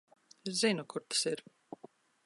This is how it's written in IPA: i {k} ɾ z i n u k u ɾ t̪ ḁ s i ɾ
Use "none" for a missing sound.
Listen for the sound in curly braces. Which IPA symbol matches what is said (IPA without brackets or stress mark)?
none